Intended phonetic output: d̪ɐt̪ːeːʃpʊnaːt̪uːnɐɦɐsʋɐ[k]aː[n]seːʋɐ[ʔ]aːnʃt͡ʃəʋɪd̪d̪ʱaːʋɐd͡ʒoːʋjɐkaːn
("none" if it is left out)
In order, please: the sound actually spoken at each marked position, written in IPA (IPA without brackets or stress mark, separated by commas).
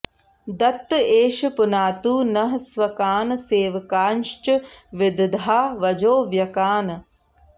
k, n, k